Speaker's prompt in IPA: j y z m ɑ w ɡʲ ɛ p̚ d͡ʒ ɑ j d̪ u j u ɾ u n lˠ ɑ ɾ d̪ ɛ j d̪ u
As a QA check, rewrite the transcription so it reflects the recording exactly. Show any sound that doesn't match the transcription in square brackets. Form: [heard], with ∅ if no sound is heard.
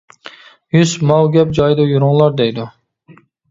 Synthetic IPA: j y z m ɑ w ɡʲ ɛ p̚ d͡ʒ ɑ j d̪ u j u ɾ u [ŋ] lˠ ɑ ɾ d̪ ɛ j d̪ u